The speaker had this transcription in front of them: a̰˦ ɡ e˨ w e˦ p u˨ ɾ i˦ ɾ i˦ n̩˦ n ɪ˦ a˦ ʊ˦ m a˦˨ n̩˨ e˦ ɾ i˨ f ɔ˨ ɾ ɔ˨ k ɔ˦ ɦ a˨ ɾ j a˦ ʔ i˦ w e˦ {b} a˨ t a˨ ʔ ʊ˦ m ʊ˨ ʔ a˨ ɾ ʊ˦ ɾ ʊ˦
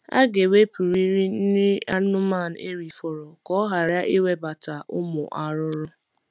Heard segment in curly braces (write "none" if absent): b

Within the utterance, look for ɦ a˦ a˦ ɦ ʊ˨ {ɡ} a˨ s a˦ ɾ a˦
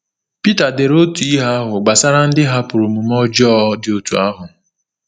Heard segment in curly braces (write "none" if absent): ɡ͡b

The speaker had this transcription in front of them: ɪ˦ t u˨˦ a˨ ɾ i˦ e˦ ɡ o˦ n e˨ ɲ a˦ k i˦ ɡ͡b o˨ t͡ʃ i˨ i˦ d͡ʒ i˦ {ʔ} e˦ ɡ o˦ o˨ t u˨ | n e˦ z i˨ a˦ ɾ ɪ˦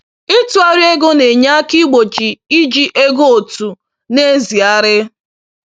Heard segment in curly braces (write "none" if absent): ʔ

